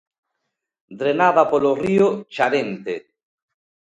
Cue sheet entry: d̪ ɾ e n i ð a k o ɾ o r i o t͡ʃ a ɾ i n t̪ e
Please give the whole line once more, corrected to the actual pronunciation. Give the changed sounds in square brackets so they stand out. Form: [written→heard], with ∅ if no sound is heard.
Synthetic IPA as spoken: d̪ ɾ e n [i→a] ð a [k→p] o [ɾ→l] o r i o t͡ʃ a ɾ [i→e] n t̪ e